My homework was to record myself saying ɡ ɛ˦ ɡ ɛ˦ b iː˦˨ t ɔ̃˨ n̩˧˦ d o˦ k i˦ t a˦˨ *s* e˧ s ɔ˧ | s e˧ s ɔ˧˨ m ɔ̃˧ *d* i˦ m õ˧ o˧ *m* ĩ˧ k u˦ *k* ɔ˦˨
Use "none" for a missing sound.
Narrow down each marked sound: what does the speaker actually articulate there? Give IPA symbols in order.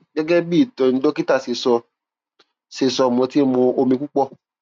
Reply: s, t, m, k͡p

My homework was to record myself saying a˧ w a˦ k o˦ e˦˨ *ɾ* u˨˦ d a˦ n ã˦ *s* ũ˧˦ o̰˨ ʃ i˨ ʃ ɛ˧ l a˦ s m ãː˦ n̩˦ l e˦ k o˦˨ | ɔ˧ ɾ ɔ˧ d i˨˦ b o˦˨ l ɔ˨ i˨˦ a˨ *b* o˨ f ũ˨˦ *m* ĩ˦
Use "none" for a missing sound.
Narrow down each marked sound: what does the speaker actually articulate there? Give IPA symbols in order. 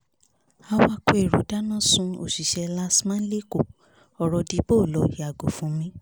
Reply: ɾ, s, ɡ, m

